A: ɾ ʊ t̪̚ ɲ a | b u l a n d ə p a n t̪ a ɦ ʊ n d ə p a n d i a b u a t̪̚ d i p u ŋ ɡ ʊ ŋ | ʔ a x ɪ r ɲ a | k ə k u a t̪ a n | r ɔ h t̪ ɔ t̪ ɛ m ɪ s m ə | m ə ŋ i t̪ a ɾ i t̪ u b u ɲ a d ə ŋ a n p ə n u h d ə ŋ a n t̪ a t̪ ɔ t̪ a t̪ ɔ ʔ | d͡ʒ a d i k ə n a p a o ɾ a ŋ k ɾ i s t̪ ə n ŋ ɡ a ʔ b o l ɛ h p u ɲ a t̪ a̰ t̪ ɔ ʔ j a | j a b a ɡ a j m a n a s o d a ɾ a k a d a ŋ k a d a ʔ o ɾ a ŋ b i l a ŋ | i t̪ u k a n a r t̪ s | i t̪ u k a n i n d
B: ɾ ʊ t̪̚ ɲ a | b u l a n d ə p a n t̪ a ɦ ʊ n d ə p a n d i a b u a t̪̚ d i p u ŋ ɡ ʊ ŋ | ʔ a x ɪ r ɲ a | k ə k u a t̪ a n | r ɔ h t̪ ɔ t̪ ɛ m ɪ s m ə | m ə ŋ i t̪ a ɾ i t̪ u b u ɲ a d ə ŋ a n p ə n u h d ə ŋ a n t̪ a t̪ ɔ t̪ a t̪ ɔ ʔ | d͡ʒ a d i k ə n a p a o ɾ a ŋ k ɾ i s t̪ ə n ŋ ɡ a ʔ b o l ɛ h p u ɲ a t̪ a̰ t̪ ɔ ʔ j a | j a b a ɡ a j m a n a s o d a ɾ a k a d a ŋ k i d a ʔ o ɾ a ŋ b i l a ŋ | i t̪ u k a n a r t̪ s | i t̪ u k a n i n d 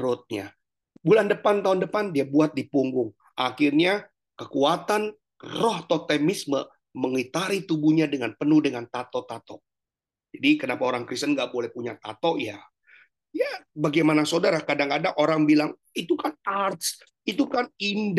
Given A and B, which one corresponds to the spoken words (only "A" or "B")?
A